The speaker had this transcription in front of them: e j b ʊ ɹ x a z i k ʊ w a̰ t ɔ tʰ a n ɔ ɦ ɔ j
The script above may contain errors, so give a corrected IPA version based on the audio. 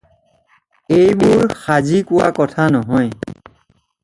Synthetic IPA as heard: e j b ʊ ɹ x a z i k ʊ w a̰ k ɔ tʰ a n ɔ ɦ ɔ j